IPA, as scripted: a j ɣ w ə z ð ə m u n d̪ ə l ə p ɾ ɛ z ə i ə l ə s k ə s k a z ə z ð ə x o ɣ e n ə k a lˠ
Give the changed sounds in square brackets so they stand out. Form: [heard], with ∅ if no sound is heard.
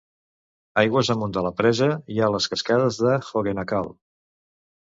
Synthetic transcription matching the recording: a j ɣ w ə z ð ə m u n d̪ ə l ə p ɾ ɛ z ə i [a] l ə s k ə s k a [ð] ə z ð ə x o ɣ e n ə k a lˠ